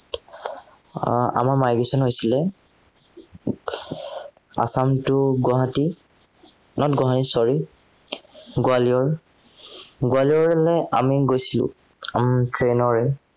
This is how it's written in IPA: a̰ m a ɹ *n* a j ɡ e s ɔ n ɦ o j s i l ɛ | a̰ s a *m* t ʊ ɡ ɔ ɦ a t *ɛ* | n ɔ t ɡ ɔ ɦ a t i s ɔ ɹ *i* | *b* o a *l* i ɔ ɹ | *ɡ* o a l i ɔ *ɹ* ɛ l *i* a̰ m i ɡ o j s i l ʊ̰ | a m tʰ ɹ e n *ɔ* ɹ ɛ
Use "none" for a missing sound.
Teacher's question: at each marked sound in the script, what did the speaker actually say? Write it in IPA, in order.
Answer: m, m, i, i, ɡ, l, ɡ, ɹ, ɛ, ɔ

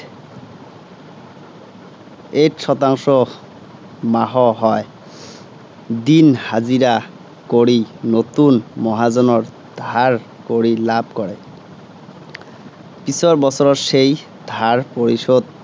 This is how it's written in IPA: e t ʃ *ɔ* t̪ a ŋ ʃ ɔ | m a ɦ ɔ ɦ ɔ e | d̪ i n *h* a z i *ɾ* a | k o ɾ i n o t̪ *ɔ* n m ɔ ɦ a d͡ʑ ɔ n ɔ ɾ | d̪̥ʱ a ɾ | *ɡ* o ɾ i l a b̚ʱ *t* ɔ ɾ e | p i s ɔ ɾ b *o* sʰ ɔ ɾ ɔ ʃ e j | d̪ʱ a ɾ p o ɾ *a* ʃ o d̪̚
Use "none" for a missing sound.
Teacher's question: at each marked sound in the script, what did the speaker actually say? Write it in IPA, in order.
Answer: ɔ, h, ɾ, u, k, k, ɔ, i

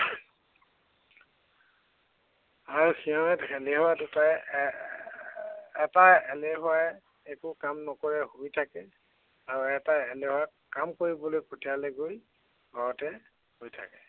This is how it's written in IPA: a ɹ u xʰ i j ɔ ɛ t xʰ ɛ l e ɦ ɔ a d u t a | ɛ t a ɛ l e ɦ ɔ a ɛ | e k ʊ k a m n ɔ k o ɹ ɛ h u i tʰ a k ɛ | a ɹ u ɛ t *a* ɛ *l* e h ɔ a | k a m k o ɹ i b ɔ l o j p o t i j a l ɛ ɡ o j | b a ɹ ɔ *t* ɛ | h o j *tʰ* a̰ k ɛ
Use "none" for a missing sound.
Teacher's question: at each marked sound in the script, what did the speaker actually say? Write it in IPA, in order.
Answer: a, l, t, tʰ

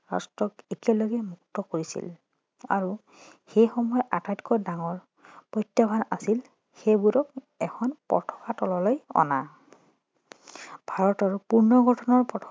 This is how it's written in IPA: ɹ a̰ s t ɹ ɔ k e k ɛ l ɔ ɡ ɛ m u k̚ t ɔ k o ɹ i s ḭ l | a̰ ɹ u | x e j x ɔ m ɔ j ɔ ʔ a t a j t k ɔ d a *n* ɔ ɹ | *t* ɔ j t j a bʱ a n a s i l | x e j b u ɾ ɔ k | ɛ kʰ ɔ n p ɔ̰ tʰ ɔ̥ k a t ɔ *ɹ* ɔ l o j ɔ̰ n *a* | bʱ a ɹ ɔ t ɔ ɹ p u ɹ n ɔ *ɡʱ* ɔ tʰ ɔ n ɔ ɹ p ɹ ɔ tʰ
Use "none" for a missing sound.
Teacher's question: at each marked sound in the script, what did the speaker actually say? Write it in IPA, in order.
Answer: ŋ, p, l, a, ɡʱ

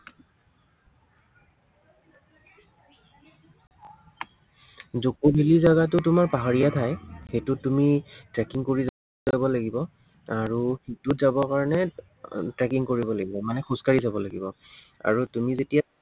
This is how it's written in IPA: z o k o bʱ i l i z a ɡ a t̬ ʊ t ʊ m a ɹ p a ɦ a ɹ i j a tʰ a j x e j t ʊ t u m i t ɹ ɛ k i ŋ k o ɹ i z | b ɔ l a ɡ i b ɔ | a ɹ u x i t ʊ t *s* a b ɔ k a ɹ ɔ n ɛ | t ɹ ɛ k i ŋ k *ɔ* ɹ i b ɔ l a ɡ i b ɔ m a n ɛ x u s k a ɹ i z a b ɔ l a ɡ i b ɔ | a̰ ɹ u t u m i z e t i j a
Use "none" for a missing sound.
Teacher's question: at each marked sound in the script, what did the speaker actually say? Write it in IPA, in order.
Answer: z, o

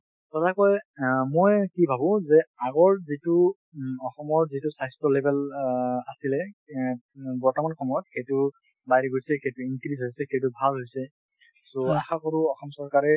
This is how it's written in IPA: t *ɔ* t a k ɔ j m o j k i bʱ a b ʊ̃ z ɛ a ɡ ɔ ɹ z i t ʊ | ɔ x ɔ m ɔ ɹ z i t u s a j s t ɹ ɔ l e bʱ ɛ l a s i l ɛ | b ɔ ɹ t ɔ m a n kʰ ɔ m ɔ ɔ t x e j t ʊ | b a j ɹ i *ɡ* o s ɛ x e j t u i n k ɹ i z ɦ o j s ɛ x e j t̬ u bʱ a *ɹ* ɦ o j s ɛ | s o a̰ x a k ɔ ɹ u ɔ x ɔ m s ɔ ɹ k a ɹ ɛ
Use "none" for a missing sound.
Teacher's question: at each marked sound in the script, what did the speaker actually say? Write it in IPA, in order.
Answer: ɔ, ɡ, l

